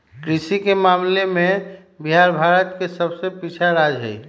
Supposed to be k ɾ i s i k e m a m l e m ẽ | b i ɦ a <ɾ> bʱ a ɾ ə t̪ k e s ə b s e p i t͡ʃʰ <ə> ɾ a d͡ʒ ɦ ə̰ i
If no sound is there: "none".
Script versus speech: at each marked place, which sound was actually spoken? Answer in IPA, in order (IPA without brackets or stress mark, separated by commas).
ɾ, a